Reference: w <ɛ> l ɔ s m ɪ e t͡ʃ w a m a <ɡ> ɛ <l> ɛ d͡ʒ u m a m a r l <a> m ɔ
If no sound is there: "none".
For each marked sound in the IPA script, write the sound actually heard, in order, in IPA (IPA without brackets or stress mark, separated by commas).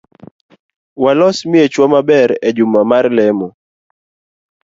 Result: a, b, ɾ, ɛ